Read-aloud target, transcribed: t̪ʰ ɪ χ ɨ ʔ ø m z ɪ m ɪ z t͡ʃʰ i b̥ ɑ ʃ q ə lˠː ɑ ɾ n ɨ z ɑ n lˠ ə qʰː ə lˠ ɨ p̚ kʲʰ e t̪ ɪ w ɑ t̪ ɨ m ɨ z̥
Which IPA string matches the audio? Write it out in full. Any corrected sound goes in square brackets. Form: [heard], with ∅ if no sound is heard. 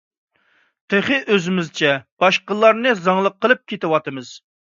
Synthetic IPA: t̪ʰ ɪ χ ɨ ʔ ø [∅] z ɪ m ɪ z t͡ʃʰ [ɛ] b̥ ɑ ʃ q ə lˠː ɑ ɾ n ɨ z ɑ [ŋ] lˠ ə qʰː ə lˠ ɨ p̚ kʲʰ e t̪ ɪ w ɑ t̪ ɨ m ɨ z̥